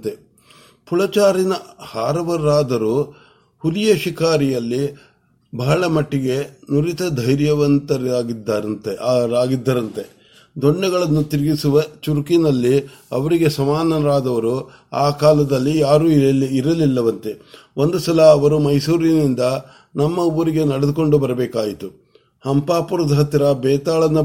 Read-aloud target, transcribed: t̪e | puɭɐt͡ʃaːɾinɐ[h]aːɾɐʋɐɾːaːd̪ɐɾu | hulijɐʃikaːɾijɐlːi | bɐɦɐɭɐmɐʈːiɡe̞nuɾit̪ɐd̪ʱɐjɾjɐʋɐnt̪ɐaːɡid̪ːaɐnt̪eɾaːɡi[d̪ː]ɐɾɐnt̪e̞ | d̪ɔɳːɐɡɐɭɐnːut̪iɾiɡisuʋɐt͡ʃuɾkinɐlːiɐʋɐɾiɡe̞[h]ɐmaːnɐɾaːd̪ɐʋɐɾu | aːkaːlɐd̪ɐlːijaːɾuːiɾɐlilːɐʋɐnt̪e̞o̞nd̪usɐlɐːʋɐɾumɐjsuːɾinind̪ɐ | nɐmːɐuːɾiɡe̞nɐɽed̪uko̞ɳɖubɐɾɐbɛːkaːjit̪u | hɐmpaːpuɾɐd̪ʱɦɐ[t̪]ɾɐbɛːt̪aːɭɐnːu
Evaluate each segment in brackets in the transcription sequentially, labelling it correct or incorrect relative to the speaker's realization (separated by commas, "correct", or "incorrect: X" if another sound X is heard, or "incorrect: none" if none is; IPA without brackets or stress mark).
correct, correct, incorrect: s, correct